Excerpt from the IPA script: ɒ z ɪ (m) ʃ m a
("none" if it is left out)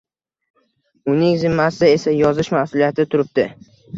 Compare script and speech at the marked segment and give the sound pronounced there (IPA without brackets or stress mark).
none